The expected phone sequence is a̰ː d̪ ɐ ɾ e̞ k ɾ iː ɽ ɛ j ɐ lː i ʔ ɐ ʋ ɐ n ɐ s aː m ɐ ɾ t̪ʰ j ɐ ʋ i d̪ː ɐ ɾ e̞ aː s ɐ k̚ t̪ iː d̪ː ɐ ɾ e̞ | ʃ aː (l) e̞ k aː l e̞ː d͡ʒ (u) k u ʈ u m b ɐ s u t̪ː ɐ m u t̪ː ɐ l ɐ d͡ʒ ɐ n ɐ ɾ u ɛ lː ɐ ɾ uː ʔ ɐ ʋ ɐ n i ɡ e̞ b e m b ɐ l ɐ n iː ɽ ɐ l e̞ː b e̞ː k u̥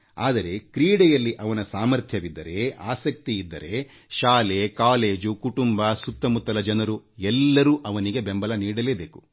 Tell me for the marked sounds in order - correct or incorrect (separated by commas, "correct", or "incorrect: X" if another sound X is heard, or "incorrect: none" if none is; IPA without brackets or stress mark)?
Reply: correct, correct